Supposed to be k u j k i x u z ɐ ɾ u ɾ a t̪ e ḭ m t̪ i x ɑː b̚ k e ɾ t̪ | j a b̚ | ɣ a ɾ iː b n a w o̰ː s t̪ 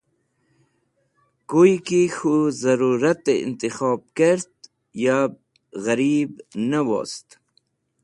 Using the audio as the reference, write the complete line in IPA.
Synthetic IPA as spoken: k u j k i x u z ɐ ɾ u ɾ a t̪ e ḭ n t̪ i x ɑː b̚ k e ɾ t̪ | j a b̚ | ɣ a ɾ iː b n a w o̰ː s t̪